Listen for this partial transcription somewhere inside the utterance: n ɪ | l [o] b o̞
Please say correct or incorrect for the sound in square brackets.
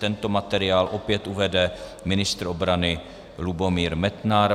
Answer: incorrect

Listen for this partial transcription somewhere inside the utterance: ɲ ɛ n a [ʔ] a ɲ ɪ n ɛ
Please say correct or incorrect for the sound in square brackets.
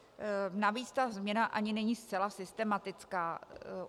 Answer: correct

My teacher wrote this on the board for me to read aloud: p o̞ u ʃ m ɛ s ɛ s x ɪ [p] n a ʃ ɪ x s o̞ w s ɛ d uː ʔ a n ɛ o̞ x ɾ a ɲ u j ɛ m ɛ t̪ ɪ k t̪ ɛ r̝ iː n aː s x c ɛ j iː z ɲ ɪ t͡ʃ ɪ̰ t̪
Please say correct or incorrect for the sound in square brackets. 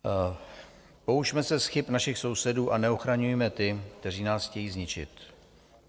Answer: correct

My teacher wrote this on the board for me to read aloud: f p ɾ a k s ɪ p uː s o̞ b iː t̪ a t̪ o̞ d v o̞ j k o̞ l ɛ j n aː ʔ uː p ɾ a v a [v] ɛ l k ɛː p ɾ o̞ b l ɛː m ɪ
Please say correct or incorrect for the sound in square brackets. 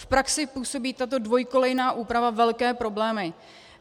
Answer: correct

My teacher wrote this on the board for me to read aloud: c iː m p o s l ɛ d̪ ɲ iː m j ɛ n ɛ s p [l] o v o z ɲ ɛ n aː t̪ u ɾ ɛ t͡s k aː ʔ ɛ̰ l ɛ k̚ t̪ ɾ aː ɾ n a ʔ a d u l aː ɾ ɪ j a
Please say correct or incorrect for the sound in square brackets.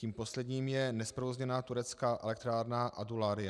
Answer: incorrect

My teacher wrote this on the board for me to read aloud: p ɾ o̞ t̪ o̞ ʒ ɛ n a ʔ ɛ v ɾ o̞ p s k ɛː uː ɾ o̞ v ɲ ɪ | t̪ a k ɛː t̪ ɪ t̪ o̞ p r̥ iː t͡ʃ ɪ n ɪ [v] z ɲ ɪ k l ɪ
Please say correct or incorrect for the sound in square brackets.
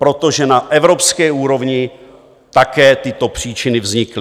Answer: correct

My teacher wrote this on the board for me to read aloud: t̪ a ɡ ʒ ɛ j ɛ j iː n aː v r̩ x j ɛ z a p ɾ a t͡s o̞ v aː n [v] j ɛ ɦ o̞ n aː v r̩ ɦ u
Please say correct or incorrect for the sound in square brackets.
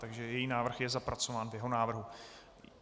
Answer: correct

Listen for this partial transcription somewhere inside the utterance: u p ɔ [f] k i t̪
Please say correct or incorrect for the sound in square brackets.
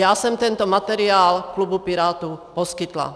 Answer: incorrect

